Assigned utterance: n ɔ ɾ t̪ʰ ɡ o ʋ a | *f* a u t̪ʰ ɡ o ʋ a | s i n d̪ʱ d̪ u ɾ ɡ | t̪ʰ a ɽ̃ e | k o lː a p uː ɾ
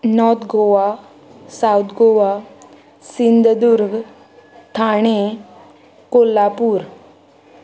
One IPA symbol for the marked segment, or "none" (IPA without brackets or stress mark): s